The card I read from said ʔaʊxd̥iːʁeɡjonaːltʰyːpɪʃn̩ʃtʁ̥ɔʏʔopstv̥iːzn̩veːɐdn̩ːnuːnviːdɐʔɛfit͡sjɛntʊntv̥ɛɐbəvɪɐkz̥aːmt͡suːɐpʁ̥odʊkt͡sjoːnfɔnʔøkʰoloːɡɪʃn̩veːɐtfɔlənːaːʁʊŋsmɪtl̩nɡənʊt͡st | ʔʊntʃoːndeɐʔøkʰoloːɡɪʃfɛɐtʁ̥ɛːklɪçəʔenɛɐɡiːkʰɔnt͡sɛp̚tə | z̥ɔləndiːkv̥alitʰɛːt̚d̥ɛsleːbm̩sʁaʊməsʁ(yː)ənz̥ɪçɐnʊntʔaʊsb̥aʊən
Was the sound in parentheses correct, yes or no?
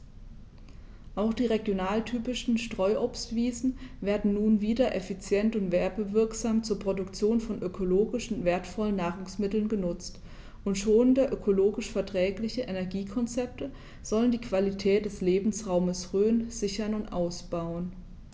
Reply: no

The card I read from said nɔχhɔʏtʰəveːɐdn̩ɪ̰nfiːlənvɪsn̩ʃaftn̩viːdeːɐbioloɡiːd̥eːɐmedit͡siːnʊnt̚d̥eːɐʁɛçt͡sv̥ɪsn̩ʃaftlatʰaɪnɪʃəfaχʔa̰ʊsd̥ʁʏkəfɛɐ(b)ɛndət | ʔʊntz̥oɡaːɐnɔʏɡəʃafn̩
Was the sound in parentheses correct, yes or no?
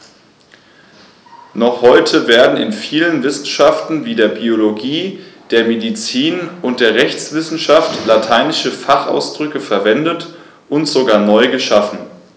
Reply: no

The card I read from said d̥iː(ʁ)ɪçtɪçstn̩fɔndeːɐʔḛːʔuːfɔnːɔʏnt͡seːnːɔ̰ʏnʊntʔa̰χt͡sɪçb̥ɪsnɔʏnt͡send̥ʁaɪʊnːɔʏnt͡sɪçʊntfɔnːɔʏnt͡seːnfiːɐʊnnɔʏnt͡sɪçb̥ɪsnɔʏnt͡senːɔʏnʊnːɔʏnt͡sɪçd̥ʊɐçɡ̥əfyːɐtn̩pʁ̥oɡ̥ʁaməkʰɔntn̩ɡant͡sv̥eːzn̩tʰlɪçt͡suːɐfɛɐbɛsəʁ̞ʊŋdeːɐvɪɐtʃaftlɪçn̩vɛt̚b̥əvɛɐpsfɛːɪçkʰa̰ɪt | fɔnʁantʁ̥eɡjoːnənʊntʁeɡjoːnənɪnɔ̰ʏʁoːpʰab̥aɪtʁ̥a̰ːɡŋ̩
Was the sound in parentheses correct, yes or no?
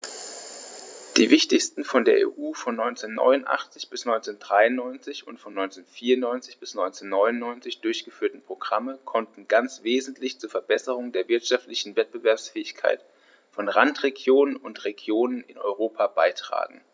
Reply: no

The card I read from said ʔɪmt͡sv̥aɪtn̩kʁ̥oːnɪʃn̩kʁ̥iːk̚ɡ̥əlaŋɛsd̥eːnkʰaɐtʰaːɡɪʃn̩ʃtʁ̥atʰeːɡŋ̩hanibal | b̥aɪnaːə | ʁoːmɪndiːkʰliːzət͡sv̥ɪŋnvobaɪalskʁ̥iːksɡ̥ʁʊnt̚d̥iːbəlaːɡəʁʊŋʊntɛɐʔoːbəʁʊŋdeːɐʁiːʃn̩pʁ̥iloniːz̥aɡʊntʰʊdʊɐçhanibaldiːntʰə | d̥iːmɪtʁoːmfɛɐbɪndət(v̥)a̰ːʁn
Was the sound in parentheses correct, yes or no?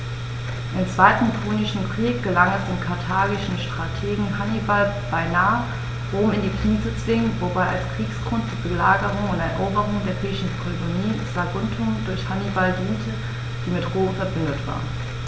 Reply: yes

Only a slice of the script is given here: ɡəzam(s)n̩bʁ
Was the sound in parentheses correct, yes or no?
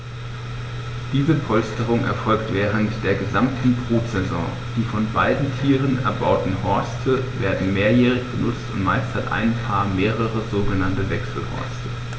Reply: no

